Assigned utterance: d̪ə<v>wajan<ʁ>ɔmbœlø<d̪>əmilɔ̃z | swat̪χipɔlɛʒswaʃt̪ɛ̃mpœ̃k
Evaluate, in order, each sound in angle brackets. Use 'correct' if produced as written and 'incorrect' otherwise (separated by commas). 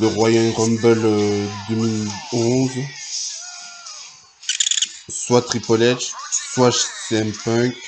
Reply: incorrect, correct, correct